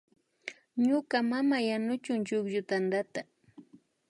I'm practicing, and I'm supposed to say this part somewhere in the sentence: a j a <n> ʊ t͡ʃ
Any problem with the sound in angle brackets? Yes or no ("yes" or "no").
no